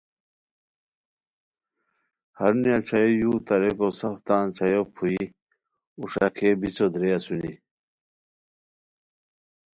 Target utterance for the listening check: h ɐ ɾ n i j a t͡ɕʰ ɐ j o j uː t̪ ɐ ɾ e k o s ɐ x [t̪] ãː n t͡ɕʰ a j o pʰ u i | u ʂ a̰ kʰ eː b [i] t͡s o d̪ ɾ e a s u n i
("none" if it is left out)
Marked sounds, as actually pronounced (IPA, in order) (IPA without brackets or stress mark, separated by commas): t̪, i